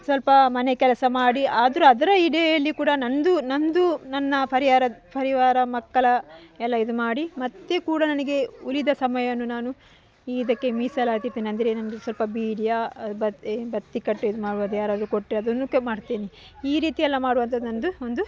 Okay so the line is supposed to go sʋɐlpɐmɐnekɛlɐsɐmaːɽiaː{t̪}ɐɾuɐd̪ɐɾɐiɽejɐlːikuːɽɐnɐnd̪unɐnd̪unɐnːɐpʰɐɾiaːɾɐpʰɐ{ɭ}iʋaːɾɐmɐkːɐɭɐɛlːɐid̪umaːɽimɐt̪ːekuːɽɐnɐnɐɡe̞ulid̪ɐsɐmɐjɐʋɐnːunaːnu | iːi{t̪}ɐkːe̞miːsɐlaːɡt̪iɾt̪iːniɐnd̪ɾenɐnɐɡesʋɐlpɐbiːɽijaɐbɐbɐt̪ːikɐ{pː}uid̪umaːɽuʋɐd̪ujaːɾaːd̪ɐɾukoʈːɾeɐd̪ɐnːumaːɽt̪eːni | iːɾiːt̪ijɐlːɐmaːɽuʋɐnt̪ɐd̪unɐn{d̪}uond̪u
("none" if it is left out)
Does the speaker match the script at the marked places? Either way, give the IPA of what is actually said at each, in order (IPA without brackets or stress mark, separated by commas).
d̪, ɾ, d̪, ʈː, d̪